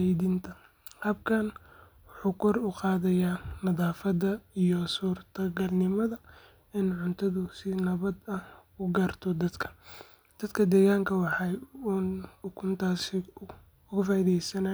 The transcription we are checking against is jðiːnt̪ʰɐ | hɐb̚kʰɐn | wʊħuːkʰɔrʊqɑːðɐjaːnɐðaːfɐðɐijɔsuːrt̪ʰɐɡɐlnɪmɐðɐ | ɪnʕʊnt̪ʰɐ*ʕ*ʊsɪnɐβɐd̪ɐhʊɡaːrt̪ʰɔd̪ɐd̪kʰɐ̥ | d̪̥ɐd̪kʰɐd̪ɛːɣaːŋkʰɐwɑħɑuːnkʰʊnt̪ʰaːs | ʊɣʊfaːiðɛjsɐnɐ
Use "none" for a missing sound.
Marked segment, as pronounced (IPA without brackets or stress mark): ð